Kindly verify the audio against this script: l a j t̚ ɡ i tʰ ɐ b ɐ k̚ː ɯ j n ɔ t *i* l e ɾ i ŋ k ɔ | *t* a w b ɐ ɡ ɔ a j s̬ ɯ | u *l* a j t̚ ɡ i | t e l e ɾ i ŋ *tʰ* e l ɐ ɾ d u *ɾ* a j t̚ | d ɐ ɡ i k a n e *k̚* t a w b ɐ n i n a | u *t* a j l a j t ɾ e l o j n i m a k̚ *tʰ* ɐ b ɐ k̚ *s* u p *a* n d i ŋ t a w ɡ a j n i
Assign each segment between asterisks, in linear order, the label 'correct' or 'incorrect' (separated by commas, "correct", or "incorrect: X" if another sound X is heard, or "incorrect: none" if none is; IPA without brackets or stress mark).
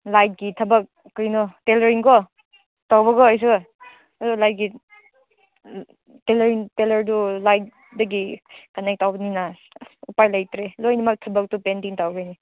incorrect: e, correct, correct, incorrect: t, incorrect: l, correct, incorrect: p, correct, incorrect: t, incorrect: e